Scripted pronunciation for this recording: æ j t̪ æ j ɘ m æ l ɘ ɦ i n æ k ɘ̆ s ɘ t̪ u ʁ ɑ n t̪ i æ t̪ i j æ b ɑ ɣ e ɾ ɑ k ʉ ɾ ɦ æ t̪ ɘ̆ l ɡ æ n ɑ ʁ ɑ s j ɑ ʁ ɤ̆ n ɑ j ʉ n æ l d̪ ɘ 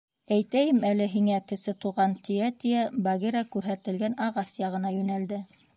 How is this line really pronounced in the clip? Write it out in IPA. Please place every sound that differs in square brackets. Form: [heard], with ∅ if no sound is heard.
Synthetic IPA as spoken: æ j t̪ æ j ɘ m æ l ɘ ɦ i [ŋ] æ k ɘ̆ s ɘ t̪ u ʁ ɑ n t̪ i æ t̪ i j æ b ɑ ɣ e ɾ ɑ k ʉ ɾ ɦ æ t̪ ɘ̆ l ɡ æ n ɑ ʁ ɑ s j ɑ ʁ ɤ̆ n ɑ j ʉ n æ l d̪ ɘ